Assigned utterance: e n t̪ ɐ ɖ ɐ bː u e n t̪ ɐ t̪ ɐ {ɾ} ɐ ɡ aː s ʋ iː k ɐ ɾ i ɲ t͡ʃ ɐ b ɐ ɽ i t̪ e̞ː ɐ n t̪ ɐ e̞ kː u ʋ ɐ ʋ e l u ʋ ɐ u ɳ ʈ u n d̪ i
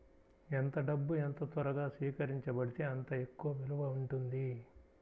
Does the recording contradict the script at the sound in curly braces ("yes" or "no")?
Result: no